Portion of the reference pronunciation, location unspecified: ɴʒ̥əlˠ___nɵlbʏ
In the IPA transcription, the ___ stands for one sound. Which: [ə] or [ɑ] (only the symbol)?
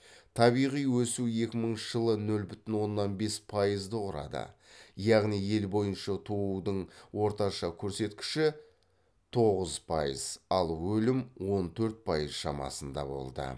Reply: ə